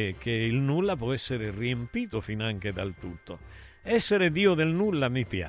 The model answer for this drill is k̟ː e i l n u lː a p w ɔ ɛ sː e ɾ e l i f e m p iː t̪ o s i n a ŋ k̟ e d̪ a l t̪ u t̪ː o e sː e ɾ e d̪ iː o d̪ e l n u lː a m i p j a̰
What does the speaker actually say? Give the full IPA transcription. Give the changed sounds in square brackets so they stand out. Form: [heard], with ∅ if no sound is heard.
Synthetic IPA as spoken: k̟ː e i l n u lː a p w ɔ ɛ sː e ɾ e [r] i [∅] e m p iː t̪ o [f] i n a ŋ k̟ e d̪ a l t̪ u t̪ː o [ɛ] sː e ɾ e d̪ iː o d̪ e l n u lː a m i p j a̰